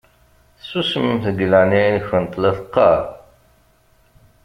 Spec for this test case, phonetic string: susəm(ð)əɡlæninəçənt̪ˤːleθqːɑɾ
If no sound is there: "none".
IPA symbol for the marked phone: θ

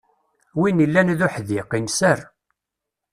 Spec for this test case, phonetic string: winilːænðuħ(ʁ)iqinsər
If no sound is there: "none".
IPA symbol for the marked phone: ð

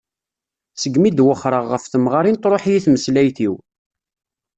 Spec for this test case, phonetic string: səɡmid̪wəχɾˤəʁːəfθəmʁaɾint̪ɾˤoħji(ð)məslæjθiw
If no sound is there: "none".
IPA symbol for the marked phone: θ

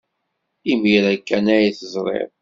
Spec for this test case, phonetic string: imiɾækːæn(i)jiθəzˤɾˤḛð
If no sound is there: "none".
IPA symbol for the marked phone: æ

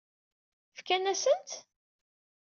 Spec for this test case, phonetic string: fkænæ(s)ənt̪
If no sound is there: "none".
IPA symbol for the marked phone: s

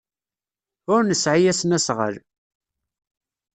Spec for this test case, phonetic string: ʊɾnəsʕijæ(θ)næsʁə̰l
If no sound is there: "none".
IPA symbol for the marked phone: s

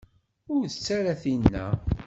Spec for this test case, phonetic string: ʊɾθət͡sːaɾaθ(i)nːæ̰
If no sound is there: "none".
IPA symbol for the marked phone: i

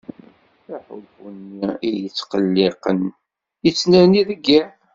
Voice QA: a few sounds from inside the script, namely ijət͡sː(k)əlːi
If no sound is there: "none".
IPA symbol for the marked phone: q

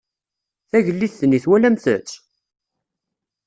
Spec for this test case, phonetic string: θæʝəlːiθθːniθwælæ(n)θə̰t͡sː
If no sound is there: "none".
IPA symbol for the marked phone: m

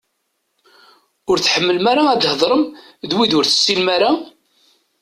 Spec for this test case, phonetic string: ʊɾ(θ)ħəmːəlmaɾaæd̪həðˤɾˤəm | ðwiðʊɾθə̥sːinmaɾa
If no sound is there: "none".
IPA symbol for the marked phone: θ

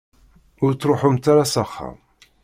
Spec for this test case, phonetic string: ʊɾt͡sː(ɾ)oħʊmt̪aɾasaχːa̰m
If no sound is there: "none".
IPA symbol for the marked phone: ɾ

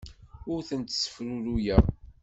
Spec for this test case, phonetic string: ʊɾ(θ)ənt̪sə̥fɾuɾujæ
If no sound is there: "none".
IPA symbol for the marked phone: θ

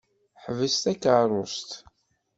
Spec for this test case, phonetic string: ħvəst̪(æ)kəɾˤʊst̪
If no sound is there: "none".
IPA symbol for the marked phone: æ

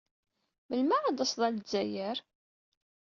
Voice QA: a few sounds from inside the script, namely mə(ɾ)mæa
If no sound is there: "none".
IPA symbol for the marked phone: l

